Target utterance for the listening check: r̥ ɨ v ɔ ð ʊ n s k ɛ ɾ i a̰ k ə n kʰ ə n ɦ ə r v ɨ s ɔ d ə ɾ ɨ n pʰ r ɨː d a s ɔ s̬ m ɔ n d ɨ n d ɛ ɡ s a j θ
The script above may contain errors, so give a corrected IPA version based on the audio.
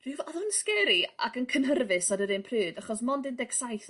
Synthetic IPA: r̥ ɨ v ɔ ð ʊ n s k ɛ ɾ i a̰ k ə n kʰ ə n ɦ ə r v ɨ s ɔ d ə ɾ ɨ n pʰ r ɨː d a χ ɔ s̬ m ɔ n d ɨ n d ɛ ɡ s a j θ